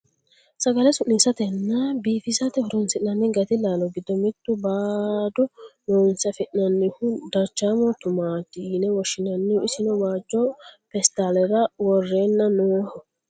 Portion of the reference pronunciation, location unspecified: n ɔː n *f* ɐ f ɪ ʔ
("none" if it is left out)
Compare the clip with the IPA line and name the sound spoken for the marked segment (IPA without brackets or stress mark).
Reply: s